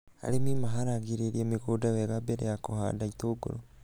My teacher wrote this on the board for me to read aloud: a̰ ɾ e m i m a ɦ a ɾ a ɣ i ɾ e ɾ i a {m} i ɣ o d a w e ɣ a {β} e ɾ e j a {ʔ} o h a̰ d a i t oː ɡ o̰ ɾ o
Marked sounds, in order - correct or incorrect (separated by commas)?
correct, incorrect, incorrect